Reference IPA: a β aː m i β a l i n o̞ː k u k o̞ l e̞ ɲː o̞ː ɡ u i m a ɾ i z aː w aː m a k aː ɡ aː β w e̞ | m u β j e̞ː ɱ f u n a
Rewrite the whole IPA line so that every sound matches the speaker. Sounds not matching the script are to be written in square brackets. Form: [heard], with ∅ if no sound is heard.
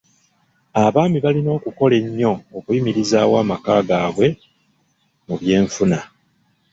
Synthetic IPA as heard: a β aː m i β a l i n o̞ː k u k o̞ l e̞ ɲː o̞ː [k] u i m [i] ɾ i z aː w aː m a k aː ɡ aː β w e̞ | m u β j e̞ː ɱ f u n a

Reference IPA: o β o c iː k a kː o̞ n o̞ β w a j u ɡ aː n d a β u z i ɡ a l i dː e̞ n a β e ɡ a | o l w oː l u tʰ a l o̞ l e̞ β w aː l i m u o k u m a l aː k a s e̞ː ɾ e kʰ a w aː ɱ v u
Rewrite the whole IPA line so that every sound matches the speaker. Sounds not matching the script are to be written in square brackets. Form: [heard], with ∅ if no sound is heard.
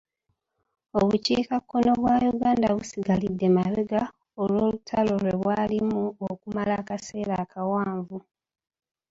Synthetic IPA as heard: o β [u] c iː k a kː o̞ n o̞ β w a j u ɡ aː n d a β u [s] i ɡ a l i dː e̞ [m] a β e ɡ a | o l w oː l u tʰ a l o̞ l e̞ β w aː l i m u o k u m a l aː k a s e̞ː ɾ [a] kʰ a w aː ɱ v u

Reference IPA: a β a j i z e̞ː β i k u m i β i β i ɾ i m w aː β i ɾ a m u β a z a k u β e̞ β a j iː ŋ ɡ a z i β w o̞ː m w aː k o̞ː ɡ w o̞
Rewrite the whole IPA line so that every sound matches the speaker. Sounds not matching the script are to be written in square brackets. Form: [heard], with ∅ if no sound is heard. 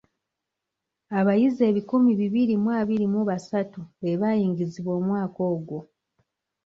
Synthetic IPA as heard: a β a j i z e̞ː β i k u m i β i β i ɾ i m w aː β i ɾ [i] m u β a [s] a [t] u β e̞ β a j iː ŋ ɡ [i] z i β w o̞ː m w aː k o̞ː ɡ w o̞

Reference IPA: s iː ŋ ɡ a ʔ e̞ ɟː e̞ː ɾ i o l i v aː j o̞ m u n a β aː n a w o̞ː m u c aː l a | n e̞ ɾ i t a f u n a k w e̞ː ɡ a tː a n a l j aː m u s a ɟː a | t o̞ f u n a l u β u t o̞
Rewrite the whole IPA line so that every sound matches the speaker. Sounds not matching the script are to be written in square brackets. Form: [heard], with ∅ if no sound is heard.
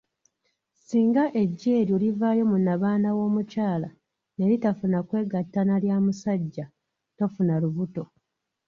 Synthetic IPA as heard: s iː ŋ ɡ a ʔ e̞ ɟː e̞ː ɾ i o l i v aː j o̞ m u n a β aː n a w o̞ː m u c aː l a | n e̞ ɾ i t a f u n a k w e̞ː ɡ a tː a n a l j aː m u s a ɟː a | t o̞ f u n a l u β u t o̞

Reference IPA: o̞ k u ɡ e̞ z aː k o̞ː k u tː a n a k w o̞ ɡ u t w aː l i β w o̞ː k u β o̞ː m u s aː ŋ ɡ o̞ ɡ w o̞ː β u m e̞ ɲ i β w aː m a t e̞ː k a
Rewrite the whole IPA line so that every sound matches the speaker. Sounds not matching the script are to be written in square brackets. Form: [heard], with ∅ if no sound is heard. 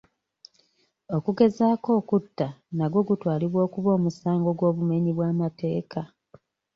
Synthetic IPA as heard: o̞ k u ɡ e̞ z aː k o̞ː k u tː a n a [ɡ] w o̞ ɡ u t w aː l i β w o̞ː k u β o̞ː m u s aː ŋ ɡ o̞ ɡ w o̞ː β u m e̞ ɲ i β w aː m a t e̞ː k a

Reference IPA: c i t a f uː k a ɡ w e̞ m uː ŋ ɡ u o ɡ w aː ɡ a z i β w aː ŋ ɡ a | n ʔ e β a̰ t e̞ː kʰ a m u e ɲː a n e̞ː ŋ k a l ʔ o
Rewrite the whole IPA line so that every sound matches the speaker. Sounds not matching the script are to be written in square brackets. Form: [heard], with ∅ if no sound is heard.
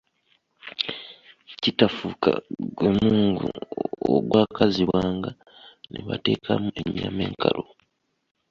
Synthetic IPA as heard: c i t a f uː k a ɡ w e̞ m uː ŋ ɡ u o ɡ w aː [k] a z i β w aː ŋ ɡ a | n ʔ e β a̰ t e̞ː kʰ a m u e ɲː a [m] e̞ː ŋ k a l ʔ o

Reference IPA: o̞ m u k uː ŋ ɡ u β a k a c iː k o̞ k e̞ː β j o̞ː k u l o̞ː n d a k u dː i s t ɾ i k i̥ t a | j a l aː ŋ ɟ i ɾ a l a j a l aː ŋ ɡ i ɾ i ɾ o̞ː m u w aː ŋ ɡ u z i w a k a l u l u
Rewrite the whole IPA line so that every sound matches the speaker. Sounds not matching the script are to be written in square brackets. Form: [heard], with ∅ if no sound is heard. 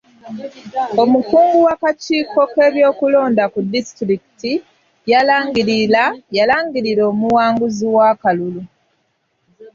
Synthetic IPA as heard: o̞ m u k uː ŋ ɡ u [w] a k a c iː k o̞ k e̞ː β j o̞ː k u l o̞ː n d a k u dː i s t ɾ i k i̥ t [i] | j a l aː ŋ [ɡ] i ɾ [i] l a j a l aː ŋ ɡ i ɾ i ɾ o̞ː m u w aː ŋ ɡ u z i w a k a l u l u

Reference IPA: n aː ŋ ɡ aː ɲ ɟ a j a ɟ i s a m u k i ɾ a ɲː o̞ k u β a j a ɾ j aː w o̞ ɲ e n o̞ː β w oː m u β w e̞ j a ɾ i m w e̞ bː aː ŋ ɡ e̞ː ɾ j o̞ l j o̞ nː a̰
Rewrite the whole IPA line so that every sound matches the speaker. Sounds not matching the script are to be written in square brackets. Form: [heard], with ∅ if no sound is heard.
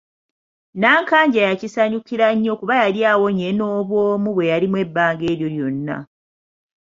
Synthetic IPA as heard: n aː ŋ [k] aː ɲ ɟ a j a [c] i s a [ɲ] u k i ɾ a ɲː o̞ k u β a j a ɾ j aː w o̞ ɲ e n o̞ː β w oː m u β w e̞ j a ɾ i m w e̞ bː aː ŋ ɡ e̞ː ɾ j o̞ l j o̞ nː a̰

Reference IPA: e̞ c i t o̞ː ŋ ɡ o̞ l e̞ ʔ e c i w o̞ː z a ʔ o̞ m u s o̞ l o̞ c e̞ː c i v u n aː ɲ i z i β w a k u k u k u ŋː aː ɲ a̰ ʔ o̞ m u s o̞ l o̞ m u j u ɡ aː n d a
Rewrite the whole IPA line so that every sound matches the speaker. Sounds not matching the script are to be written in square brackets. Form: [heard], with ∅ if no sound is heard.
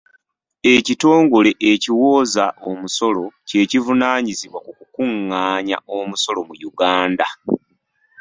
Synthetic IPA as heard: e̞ c i t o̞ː ŋ ɡ o̞ l e̞ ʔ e c i w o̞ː z a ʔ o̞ m u s o̞ l o̞ c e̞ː c i v u n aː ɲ i z i β w a k u k u k u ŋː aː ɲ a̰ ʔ o̞ m u s o̞ l o̞ m u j u ɡ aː n d a

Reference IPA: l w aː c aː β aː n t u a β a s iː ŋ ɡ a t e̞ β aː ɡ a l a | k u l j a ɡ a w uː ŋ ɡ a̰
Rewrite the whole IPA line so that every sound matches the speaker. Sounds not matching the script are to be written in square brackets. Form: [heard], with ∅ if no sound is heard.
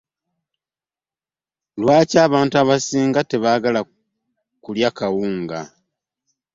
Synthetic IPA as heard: l w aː c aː β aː n t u a β a s iː ŋ ɡ a t e̞ β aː ɡ a l a | k u l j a [k] a w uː ŋ ɡ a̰

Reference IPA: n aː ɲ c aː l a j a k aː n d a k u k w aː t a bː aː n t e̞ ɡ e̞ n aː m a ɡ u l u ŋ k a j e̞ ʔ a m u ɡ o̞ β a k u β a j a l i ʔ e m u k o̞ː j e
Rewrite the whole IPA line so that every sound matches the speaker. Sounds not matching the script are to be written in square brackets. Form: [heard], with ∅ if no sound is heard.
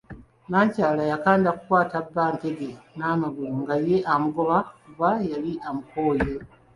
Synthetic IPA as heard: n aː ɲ c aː l a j a k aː n d a k u k w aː t a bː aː n t e̞ ɡ e̞ n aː m a ɡ u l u ŋ [ɡ] a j e̞ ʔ a m u ɡ o̞ β a k u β a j a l i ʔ [a] m u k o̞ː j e

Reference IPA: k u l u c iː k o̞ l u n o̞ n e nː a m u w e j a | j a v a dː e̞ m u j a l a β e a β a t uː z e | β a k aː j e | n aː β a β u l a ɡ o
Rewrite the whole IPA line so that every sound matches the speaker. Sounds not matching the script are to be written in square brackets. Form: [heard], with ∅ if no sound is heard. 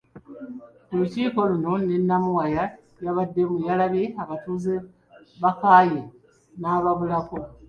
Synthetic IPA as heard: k u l u c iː k o̞ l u n o̞ n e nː a m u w [a] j a | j a [β] a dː e̞ m u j a l a β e a β a t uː z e | β a k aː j e | n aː β a β u l a [k] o

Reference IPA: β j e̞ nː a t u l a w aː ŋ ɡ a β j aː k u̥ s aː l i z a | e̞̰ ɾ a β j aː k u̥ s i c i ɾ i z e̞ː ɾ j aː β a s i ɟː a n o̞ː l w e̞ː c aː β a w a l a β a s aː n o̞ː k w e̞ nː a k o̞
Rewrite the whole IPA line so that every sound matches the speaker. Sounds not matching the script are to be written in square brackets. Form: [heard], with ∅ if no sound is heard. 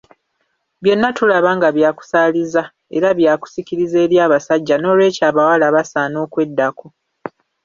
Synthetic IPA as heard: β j e̞ nː a t u l a [β] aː ŋ ɡ a β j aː k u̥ s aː l i z a | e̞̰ ɾ a β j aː k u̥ s i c i ɾ i z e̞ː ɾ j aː β a s [a] ɟː a n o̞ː l w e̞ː c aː β a w a l a β a s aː n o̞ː k w e̞ [dː] a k o̞

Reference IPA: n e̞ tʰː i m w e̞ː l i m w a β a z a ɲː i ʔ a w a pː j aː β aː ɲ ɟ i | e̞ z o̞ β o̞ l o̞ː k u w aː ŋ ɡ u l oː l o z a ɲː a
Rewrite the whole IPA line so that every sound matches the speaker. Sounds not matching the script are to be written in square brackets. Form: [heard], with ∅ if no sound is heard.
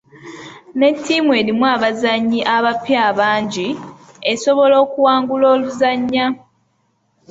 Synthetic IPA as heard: n e̞ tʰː i m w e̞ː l i m w a β a z a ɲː i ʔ a [β] a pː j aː β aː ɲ ɟ i | e̞ [s] o̞ β o̞ l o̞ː k u w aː ŋ ɡ u l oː l [u] z a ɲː a

